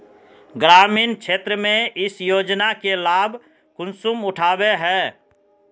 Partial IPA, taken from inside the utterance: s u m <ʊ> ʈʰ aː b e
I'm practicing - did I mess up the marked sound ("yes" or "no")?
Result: no